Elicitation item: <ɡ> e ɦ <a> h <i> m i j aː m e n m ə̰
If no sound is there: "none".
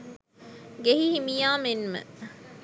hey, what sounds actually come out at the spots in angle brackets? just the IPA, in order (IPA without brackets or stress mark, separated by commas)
ɡ, i, i